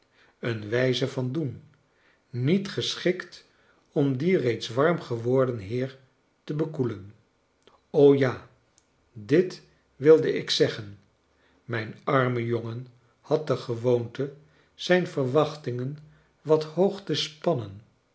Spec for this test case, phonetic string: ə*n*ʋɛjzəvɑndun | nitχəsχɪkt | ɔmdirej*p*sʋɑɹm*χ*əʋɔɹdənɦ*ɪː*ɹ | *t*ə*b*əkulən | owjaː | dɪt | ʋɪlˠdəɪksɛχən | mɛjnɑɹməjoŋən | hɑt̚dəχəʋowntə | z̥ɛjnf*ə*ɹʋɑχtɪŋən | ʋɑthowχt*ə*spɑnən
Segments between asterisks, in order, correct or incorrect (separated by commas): correct, incorrect, correct, correct, correct, correct, correct, correct